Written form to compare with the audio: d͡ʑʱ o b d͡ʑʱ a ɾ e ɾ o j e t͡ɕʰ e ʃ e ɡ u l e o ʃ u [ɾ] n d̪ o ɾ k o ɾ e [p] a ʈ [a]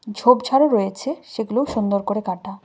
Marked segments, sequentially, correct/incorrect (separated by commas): incorrect, incorrect, correct